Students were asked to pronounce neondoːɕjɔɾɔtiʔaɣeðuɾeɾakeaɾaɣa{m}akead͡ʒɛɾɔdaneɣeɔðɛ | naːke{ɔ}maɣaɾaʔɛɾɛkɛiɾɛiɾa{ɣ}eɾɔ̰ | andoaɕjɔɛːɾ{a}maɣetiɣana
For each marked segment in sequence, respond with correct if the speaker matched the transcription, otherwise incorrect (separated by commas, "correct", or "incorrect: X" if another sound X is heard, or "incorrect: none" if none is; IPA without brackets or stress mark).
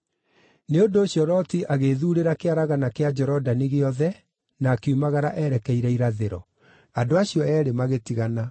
incorrect: n, incorrect: u, incorrect: ð, incorrect: e